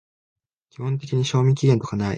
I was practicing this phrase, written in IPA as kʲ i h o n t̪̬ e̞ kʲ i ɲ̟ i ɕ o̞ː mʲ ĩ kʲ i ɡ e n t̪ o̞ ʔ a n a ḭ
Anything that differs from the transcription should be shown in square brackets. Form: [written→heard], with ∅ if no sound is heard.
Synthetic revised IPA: kʲ i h [o→õ] n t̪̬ e̞ kʲ i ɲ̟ i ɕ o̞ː mʲ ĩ kʲ i ɡ e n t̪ o̞ [ʔ→k] a n a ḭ